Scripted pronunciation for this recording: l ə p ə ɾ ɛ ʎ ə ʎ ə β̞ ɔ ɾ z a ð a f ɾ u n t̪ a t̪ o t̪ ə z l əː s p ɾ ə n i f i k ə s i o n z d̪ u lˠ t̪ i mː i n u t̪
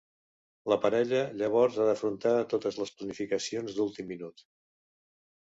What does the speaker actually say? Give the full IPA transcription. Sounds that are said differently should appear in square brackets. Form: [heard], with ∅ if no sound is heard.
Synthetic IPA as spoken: l ə p ə ɾ ɛ ʎ ə ʎ ə β̞ ɔ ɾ z a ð [ə] f ɾ u n t̪ a t̪ o t̪ ə z l [ə] s p [l] ə n i f i k ə s i o n z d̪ u lˠ t̪ i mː i n u t̪